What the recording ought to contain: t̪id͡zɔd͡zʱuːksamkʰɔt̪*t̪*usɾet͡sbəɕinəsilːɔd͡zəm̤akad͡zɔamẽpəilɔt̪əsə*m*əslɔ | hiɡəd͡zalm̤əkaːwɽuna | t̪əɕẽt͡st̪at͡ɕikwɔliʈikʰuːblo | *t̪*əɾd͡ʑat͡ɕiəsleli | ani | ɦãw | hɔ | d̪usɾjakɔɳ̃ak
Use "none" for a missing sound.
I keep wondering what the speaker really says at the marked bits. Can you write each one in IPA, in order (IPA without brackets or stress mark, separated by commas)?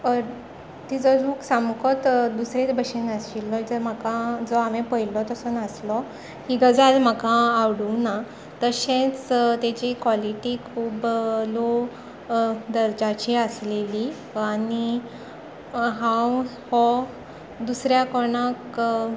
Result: d̪, n, d̪